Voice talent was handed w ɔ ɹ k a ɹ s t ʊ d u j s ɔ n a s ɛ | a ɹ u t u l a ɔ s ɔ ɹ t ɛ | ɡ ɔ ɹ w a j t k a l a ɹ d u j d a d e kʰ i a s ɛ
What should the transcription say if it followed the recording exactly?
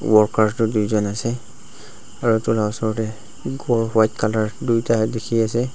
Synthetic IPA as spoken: w ɔ ɹ k a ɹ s t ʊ d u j z ɔ n a s ɛ | a ɹ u t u l a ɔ s ɔ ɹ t ɛ | ɡ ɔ ɹ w a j t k a l a ɹ d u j t a d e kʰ i a s ɛ